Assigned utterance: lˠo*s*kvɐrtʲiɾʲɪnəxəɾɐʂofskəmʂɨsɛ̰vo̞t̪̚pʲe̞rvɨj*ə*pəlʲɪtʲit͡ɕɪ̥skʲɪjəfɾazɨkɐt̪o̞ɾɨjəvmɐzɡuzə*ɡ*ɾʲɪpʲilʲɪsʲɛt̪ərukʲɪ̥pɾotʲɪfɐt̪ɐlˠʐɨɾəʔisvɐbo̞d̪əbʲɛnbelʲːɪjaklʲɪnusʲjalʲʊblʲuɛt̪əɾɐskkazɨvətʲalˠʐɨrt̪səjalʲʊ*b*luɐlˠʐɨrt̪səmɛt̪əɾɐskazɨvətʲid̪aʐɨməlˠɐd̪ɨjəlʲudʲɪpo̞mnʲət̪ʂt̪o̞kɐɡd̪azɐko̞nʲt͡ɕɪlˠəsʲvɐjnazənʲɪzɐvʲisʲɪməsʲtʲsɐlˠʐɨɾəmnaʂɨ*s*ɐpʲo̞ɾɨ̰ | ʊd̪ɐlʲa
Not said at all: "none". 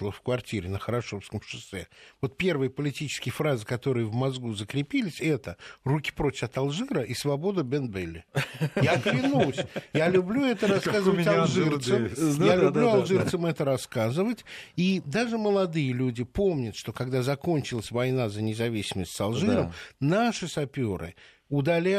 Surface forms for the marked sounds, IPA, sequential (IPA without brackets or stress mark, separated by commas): f, ə, k, b, s